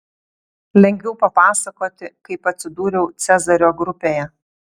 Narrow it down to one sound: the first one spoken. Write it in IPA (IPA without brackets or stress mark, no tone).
lʲ